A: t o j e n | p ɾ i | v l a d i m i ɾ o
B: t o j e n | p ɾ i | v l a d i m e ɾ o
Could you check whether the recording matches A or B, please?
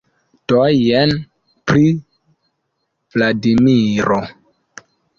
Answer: A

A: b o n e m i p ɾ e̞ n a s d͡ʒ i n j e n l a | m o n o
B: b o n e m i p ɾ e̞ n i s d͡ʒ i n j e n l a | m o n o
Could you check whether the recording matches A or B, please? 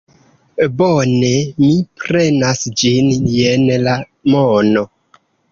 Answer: A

